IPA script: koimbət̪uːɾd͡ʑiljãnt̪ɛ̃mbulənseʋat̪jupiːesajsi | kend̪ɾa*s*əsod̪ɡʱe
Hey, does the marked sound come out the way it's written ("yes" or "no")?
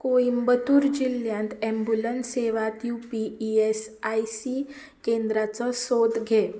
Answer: no